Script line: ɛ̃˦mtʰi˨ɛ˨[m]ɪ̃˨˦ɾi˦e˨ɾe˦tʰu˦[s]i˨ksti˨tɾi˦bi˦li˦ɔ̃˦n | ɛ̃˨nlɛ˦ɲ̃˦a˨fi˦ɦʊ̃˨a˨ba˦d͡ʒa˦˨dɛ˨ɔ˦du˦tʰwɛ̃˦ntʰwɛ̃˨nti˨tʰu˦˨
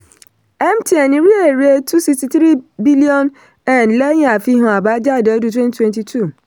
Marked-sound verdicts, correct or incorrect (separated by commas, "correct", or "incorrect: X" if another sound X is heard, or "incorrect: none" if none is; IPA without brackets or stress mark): incorrect: n, correct